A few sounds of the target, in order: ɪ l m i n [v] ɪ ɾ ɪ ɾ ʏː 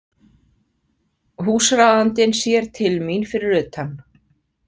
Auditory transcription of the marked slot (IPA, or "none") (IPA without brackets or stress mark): f